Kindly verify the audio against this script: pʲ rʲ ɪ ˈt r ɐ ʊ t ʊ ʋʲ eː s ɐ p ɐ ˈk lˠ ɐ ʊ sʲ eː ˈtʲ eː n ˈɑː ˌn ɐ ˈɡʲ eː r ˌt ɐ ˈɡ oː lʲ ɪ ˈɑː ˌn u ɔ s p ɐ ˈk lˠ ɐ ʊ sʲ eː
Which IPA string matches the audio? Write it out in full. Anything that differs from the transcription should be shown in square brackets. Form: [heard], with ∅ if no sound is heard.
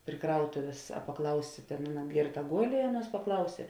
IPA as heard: pʲ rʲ ɪ [ˈk] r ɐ ʊ t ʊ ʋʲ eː s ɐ p ɐ ˈk lˠ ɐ ʊ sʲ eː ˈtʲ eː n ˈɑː ˌn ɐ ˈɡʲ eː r ˌt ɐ ˈɡ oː lʲ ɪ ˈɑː ˌn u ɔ s p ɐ ˈk lˠ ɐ ʊ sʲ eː